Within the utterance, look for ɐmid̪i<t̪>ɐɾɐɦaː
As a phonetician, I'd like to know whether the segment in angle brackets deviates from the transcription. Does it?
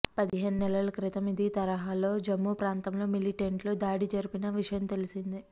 no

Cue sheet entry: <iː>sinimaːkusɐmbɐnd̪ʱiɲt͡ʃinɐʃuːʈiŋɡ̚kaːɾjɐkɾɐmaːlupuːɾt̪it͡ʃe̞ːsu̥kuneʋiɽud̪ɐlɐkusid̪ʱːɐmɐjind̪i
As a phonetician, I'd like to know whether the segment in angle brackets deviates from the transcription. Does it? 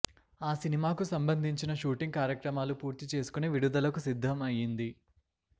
yes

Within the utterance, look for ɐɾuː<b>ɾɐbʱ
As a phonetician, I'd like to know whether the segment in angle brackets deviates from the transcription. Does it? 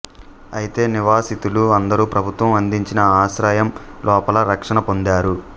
yes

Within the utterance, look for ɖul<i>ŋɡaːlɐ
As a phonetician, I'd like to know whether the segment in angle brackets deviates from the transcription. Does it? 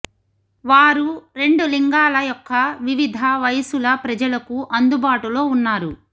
no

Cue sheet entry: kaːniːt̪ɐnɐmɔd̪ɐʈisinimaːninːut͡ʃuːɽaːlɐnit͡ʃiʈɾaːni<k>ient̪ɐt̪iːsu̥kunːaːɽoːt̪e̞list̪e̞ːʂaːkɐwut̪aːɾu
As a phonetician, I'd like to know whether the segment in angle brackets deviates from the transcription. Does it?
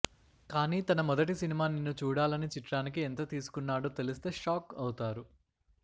no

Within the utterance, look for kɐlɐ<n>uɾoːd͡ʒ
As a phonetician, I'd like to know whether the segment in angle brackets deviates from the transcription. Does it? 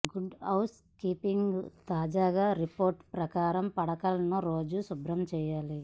no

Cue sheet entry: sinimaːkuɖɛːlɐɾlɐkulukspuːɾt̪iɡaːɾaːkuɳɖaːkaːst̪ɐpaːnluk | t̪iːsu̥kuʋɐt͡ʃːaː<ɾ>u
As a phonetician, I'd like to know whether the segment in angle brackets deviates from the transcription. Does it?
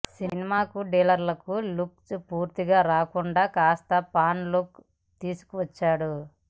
yes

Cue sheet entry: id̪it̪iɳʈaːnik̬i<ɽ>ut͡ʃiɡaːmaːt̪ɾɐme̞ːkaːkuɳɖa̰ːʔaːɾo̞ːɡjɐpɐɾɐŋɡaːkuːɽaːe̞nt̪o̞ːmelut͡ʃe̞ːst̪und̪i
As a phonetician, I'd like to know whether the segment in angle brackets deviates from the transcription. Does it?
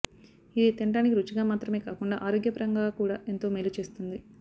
yes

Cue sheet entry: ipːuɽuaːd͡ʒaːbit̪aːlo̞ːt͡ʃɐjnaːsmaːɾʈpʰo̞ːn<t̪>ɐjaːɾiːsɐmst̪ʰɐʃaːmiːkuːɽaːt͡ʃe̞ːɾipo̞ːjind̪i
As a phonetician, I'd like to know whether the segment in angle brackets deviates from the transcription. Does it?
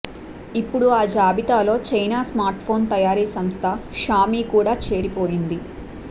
no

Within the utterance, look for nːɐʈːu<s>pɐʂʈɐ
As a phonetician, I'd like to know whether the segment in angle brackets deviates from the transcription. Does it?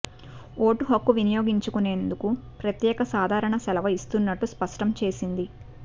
no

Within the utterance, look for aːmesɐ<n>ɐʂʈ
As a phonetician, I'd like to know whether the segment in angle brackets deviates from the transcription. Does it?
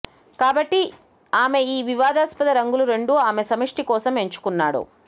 yes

